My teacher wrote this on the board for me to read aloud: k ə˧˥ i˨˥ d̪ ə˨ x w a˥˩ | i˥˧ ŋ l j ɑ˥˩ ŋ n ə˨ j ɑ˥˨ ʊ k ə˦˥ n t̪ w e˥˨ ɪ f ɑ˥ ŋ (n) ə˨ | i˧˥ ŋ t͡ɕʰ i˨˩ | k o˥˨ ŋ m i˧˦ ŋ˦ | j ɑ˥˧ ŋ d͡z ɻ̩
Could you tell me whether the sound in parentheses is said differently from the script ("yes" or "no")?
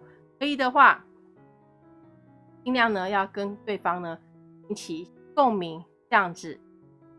no